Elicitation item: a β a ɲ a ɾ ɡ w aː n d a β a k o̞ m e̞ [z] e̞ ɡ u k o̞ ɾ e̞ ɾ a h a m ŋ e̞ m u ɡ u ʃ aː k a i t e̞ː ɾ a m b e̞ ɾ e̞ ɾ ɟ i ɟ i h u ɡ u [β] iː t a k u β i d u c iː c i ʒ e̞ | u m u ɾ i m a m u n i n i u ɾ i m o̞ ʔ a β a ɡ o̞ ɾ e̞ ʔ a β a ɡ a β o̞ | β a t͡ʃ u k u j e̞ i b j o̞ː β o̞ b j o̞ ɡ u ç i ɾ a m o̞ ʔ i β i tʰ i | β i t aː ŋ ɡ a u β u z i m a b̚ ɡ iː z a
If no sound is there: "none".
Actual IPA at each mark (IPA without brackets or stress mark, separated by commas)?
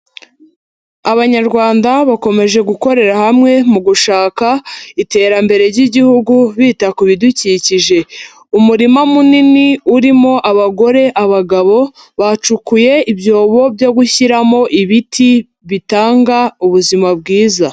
ʒ, β